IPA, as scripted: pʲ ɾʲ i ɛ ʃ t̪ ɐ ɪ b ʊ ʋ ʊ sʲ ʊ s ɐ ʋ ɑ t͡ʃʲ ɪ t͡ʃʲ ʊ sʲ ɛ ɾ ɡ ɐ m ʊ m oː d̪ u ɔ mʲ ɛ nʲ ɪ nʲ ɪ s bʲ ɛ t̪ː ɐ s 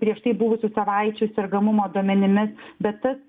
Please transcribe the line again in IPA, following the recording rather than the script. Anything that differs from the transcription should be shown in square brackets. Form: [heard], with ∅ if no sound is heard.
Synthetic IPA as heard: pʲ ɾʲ i ɛ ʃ t̪ ɐ ɪ b ʊ ʋ ʊ sʲ ʊ s ɐ ʋ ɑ [∅] ɪ t͡ʃʲ ʊ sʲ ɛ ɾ ɡ ɐ m ʊ m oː d̪ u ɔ mʲ ɛ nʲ ɪ [mʲ] ɪ s bʲ ɛ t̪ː ɐ s